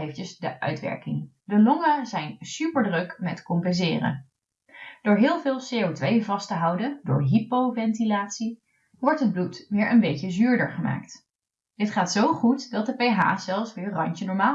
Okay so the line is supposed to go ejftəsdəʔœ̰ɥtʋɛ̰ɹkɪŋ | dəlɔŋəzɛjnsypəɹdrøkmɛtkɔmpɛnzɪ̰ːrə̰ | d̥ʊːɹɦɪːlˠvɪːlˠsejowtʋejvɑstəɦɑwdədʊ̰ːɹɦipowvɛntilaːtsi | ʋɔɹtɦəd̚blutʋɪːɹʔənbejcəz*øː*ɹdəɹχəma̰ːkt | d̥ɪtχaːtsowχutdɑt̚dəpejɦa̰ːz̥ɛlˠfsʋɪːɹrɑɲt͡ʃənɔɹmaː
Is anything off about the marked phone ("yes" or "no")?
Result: yes